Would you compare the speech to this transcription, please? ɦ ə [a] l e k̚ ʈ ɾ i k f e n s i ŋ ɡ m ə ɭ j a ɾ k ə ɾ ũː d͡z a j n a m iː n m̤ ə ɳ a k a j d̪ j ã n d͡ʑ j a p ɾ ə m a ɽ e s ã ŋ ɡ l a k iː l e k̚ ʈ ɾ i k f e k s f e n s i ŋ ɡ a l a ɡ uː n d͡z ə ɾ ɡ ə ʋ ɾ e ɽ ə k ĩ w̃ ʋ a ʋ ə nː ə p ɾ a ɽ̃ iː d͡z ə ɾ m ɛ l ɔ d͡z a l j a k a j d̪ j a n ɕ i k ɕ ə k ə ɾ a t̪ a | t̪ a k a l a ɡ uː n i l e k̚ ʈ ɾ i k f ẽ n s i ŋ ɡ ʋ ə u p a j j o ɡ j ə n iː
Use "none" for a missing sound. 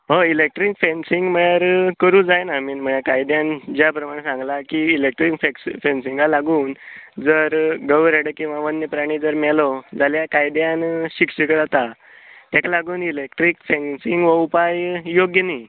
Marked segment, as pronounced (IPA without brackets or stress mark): i